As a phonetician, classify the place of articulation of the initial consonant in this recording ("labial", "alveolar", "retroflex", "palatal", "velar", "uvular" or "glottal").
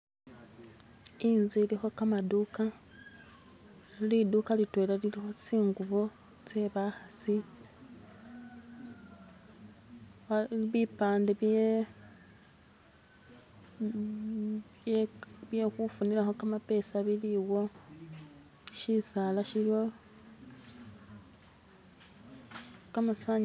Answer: alveolar